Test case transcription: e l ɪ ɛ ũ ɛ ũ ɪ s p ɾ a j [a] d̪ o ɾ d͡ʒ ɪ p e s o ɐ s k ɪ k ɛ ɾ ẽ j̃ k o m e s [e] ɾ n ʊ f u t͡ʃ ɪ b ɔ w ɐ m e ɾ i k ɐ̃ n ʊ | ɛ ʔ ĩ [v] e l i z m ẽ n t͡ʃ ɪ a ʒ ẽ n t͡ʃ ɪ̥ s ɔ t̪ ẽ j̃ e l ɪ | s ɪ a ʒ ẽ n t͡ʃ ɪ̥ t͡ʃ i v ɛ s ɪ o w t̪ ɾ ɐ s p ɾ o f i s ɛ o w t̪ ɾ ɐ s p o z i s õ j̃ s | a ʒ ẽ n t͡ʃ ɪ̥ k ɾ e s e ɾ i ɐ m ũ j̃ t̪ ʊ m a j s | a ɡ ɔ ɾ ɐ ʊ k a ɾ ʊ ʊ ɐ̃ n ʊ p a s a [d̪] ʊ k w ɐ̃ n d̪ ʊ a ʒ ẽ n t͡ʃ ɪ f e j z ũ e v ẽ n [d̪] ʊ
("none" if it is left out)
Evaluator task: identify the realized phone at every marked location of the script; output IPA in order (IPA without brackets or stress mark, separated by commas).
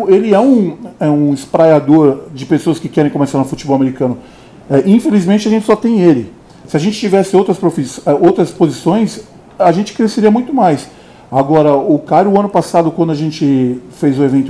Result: a, a, f, d̪, t̪